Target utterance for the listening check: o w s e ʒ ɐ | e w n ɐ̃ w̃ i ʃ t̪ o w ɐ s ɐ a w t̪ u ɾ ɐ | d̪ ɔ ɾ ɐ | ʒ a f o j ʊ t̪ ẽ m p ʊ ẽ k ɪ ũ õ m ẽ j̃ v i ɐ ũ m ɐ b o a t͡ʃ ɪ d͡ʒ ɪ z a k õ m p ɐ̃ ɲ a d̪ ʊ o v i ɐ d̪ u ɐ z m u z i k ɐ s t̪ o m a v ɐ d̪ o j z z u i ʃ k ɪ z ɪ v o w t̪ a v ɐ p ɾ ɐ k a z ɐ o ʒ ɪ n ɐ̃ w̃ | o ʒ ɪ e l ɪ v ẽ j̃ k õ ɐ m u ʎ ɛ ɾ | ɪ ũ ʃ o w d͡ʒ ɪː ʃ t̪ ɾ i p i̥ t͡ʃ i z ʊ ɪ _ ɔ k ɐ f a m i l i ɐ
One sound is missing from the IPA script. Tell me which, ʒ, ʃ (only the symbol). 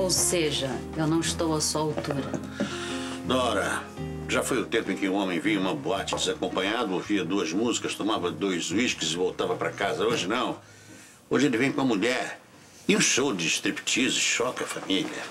ʃ